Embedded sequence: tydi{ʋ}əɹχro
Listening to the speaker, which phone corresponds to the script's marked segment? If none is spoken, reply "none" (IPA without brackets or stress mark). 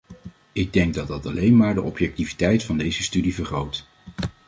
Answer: v